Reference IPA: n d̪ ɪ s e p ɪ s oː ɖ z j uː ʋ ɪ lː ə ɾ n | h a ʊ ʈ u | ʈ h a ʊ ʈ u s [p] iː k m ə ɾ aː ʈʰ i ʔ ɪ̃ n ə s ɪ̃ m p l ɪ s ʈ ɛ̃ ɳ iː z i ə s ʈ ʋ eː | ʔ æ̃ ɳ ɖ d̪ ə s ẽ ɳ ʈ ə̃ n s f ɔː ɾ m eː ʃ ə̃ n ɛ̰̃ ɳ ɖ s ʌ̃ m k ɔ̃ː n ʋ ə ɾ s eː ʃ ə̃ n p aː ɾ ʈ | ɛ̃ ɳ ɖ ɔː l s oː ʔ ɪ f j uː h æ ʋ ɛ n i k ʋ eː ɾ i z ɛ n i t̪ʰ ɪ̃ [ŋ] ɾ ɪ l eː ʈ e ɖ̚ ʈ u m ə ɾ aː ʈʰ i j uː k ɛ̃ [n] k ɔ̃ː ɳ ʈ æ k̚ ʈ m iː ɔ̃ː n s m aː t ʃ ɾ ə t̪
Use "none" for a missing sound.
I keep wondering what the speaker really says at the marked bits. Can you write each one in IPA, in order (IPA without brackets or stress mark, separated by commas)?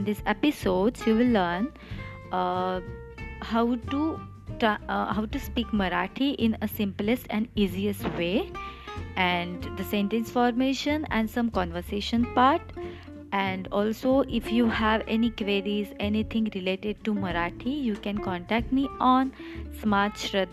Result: p, ŋ, n